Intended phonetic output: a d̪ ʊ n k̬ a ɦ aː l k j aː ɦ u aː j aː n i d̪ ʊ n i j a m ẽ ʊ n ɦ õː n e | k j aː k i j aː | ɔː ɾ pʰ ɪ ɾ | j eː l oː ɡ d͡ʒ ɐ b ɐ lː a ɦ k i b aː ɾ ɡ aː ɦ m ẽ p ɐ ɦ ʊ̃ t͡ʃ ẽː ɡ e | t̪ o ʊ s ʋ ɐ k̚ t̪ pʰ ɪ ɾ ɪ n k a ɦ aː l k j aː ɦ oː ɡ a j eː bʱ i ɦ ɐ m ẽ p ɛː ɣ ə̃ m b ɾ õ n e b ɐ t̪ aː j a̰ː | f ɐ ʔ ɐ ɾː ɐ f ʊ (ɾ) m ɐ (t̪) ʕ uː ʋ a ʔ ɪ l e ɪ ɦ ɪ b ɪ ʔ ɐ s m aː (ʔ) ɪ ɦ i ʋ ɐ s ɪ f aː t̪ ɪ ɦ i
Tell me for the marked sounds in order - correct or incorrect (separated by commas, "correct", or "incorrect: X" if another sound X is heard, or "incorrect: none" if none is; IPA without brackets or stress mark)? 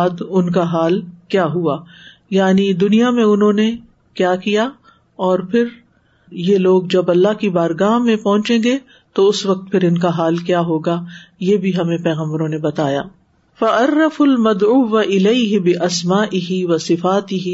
incorrect: l, incorrect: d̪, correct